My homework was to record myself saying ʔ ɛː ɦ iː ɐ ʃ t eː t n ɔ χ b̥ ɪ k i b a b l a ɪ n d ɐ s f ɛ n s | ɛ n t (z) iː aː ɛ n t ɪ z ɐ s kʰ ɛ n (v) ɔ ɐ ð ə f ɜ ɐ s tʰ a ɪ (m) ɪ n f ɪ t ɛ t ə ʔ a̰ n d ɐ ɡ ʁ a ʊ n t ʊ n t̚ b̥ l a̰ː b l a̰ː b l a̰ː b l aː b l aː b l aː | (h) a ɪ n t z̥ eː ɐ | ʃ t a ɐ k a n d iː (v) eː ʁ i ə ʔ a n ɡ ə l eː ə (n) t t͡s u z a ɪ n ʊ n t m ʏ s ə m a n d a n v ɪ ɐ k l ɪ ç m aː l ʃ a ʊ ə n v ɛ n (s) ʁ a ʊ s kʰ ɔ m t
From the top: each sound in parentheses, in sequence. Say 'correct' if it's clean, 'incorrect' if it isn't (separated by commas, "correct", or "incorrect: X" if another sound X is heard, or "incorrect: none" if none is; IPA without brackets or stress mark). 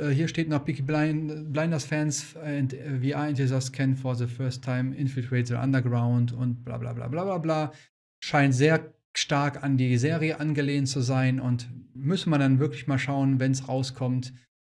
incorrect: v, incorrect: f, correct, incorrect: ʃ, incorrect: z, correct, correct